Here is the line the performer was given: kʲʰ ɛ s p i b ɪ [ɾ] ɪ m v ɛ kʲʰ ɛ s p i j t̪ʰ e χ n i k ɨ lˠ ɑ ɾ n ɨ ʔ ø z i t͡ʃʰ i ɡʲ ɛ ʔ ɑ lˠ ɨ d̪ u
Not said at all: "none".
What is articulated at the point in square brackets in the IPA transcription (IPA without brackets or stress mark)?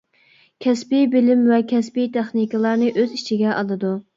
l